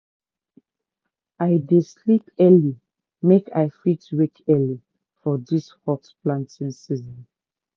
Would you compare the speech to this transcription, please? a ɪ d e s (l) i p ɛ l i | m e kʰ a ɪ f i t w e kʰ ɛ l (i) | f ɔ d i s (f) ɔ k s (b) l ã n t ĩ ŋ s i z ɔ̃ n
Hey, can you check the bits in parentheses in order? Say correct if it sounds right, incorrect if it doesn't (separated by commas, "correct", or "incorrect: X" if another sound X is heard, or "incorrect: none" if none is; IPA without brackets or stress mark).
correct, correct, incorrect: h, incorrect: p